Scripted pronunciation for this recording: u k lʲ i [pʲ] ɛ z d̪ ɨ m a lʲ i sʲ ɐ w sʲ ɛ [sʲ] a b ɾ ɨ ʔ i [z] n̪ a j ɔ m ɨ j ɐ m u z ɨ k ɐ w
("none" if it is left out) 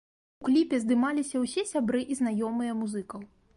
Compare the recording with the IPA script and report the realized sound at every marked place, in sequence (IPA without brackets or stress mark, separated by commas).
pʲ, sʲ, z